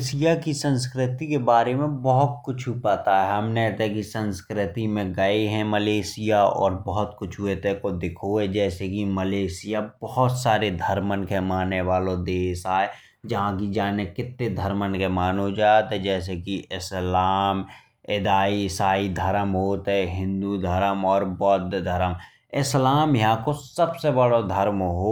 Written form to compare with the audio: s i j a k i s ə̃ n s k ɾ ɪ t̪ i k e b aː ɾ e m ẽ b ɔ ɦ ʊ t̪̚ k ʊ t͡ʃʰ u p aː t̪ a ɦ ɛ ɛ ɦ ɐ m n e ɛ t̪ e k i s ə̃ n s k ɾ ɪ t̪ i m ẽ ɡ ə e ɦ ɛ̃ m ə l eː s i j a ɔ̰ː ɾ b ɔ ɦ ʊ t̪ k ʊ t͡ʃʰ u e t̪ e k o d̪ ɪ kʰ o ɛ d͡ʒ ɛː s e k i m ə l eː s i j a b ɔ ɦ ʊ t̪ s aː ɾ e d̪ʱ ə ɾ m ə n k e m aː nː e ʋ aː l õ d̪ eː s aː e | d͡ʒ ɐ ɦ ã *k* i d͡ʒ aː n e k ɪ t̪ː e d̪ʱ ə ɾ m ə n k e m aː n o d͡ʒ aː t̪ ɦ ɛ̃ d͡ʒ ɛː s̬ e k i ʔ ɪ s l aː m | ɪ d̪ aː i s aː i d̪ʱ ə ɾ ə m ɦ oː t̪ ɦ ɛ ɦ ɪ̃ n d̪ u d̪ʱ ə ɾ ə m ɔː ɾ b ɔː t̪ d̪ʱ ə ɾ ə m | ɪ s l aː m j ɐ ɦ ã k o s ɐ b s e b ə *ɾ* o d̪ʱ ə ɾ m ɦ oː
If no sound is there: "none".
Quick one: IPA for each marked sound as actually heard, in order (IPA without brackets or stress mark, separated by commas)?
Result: k, ɽ